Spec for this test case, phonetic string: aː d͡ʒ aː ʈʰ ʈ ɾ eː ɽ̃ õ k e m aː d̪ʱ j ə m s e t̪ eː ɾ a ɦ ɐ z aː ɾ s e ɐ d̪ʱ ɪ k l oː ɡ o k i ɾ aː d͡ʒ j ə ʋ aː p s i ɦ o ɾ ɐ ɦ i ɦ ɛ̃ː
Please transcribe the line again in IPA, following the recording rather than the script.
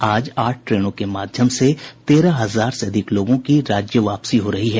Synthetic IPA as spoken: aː d͡ʒ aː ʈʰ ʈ ɾ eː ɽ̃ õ k e m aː d̪ʱ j ə m s e t̪ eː ɾ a ɦ ɐ z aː ɾ s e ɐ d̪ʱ ɪ k l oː ɡ õ k i ɾ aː d͡ʒ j ə ʋ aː p s i ɦ o ɾ ɐ ɦ i ɦ ɛː